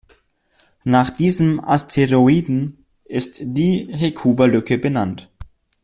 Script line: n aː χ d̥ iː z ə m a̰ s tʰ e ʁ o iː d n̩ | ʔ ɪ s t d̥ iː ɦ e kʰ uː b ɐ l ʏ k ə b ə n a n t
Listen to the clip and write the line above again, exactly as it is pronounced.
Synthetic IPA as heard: n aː χ d̥ iː z ə m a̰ s tʰ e ʁ o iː d n̩ | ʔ ɪ s t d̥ iː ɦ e kʰ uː b ɐ l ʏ k ə b ə n a n t